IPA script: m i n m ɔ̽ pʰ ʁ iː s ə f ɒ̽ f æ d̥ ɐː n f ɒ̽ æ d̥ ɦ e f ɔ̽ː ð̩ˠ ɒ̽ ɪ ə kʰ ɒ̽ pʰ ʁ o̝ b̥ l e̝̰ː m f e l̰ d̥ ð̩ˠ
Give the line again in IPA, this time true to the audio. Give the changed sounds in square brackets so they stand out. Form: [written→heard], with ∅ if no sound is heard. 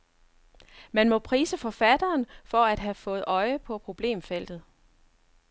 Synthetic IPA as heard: m [i→æ] n m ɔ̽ pʰ ʁ iː s ə f ɒ̽ f æ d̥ ɐː n f ɒ̽ æ d̥ ɦ [e→æ] f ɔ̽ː ð̩ˠ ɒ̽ ɪ ə [kʰ→pʰ] ɒ̽ pʰ ʁ o̝ b̥ l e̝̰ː m f e l̰ d̥ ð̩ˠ